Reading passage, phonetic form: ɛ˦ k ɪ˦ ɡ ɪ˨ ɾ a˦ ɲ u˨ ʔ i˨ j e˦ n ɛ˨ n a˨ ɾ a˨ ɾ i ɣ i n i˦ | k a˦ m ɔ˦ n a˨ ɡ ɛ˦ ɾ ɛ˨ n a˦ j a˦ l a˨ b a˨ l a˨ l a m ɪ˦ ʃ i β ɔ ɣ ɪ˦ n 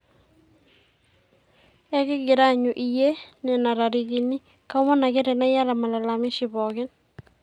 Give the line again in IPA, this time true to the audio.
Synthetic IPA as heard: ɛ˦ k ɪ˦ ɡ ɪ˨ ɾ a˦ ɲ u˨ ʔ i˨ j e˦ n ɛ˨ n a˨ ɾ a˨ ɾ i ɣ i n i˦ | k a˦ m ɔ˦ n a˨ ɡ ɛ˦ ɾ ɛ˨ n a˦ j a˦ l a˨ m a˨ l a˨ l a m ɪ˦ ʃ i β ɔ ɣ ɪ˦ n